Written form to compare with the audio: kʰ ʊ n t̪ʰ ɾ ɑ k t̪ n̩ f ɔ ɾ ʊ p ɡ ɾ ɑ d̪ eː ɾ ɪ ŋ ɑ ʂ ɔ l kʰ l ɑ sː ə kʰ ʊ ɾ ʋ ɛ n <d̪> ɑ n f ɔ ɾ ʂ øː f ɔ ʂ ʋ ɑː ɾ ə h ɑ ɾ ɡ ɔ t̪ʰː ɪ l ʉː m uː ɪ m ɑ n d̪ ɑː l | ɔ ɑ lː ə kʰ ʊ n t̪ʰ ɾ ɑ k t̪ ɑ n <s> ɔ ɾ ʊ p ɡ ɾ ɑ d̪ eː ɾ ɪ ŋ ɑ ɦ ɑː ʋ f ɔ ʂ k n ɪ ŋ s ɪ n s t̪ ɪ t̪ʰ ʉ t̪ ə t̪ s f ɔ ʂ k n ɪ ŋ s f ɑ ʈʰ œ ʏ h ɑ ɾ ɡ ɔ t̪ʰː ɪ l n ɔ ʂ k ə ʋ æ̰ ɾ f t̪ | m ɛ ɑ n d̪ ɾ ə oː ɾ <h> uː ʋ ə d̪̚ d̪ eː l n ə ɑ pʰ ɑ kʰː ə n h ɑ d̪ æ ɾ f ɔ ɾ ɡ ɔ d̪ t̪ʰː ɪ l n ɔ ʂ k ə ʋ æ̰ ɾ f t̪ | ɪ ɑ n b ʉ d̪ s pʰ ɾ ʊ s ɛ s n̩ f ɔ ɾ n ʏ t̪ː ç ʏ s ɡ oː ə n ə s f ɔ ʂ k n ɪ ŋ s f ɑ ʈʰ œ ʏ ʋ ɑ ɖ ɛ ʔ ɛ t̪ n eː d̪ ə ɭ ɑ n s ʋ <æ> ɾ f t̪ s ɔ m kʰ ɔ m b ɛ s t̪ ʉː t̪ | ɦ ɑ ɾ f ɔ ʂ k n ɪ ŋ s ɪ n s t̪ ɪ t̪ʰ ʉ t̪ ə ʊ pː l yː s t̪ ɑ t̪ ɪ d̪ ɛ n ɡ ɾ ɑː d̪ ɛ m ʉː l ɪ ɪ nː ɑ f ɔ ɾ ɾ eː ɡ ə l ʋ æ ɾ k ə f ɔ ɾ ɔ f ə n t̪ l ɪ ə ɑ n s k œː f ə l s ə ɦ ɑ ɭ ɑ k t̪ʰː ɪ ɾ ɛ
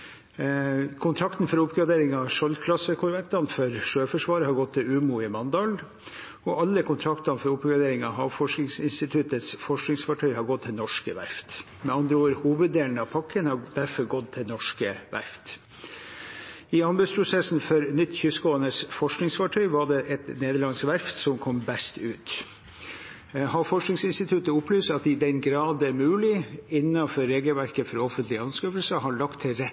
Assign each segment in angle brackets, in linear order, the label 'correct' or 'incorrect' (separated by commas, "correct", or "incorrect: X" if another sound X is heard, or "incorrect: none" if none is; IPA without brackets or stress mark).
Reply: incorrect: t̪, incorrect: f, correct, correct